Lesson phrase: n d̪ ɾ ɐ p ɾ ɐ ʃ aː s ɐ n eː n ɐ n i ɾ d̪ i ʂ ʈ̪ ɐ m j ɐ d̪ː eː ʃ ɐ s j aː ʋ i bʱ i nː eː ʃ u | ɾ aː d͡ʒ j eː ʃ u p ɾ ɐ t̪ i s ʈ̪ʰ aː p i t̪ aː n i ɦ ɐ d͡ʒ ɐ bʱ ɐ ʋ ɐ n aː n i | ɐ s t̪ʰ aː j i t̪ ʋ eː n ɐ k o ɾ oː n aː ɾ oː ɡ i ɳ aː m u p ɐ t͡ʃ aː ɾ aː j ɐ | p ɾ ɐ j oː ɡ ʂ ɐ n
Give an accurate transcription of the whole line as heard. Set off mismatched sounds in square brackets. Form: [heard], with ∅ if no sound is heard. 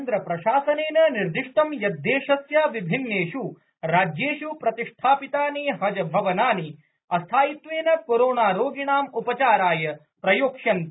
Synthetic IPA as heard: n d̪ ɾ ɐ p ɾ ɐ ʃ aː s ɐ n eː n ɐ n i ɾ d̪ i ʂ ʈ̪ ɐ m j ɐ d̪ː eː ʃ ɐ s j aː ʋ i bʱ i nː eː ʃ u | ɾ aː d͡ʒ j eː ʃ u p ɾ ɐ t̪ i [ʂ] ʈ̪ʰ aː p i t̪ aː n i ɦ ɐ d͡ʒ ɐ bʱ ɐ ʋ ɐ n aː n i | ɐ s t̪ʰ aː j i t̪ ʋ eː n ɐ k o ɾ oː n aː ɾ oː ɡ i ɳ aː m u p ɐ t͡ʃ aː ɾ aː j ɐ | p ɾ ɐ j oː [k] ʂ ɐ n